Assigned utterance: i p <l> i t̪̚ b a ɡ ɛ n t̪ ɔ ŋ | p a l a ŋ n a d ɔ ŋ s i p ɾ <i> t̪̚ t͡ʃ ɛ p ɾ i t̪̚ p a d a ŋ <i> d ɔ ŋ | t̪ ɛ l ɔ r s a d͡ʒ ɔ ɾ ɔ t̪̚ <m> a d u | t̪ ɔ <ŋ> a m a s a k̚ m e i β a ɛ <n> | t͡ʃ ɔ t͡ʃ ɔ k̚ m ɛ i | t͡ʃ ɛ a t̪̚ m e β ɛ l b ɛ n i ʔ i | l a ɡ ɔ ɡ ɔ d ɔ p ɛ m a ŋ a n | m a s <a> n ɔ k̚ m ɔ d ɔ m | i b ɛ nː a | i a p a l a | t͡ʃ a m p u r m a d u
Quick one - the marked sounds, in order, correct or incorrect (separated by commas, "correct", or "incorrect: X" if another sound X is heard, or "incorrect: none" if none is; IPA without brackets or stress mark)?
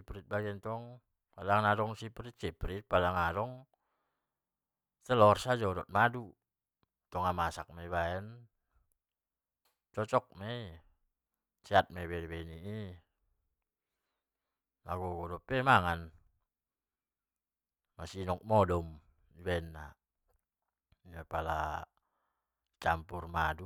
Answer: incorrect: ɾ, correct, incorrect: a, correct, correct, correct, incorrect: i